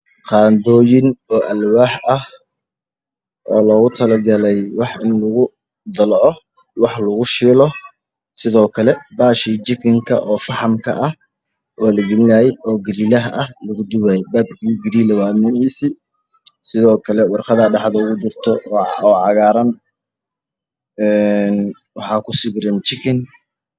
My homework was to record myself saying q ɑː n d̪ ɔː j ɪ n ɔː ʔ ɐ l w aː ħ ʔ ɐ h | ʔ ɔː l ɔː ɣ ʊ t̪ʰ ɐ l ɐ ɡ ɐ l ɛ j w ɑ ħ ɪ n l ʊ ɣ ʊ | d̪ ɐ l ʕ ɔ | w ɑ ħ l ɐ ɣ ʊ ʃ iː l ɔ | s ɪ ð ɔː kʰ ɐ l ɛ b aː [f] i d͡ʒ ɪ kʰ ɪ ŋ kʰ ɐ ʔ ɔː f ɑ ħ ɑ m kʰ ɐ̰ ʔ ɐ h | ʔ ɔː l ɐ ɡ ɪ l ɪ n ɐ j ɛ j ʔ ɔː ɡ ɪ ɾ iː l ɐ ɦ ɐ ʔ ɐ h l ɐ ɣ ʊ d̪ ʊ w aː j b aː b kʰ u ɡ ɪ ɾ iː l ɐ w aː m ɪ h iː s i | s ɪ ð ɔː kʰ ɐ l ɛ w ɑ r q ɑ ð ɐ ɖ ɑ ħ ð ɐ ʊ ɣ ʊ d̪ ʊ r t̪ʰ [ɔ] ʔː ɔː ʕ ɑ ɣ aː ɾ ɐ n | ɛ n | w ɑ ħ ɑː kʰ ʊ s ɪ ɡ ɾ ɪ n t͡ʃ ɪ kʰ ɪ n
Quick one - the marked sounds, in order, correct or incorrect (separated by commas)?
incorrect, correct